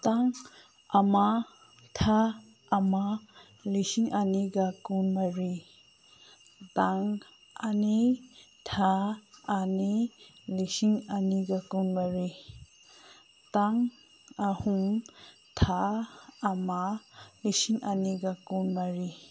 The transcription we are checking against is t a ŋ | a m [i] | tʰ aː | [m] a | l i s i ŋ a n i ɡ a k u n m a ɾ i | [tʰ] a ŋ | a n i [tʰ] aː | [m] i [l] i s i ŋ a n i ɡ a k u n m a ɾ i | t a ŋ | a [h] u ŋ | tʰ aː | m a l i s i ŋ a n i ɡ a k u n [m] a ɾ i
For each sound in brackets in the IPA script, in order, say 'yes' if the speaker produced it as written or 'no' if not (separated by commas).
no, yes, no, yes, no, yes, yes, yes